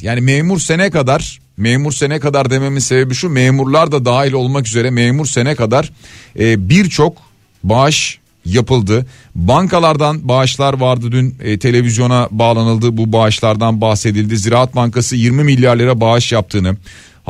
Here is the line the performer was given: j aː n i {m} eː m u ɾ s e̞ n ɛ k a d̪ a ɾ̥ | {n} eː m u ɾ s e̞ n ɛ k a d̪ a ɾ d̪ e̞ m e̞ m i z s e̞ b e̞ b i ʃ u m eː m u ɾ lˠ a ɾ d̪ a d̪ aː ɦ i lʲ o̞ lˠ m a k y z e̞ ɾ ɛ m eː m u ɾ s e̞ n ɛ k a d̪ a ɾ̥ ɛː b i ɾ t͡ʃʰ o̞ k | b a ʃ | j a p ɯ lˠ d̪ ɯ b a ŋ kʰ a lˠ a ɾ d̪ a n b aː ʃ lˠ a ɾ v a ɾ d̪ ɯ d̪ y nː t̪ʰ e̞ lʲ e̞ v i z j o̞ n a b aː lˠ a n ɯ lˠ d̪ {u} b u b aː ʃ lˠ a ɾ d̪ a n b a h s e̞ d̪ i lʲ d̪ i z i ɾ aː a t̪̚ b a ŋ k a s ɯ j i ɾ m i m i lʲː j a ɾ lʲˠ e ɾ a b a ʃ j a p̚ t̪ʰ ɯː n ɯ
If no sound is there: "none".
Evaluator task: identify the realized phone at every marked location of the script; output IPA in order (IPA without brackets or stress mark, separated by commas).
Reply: m, m, ɯ